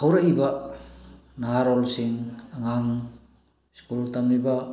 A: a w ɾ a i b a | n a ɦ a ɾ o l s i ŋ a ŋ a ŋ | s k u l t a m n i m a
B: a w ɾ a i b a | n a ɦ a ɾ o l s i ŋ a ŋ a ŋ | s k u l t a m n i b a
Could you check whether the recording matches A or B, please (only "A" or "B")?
B